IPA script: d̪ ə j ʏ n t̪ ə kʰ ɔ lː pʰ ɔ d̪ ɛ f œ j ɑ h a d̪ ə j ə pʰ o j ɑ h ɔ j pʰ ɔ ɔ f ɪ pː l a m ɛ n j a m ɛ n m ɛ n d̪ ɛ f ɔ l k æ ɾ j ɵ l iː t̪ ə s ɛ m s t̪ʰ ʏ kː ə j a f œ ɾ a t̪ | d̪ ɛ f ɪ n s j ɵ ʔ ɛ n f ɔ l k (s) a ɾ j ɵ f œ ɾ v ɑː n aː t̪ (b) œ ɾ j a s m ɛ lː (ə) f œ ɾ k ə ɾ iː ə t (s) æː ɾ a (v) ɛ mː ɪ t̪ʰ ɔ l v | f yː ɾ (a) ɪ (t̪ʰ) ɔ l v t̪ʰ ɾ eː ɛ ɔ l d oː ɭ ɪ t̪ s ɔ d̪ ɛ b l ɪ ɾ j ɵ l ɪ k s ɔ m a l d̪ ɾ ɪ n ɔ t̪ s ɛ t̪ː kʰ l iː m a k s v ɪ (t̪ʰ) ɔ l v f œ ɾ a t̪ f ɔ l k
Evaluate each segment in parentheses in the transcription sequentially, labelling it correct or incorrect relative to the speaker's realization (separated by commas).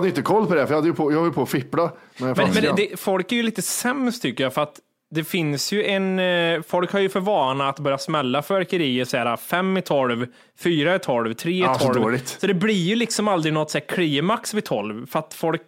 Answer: incorrect, correct, incorrect, correct, incorrect, correct, correct, correct